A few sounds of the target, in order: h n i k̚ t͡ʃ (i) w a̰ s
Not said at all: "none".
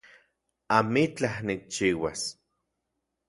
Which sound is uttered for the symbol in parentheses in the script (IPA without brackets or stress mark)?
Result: iː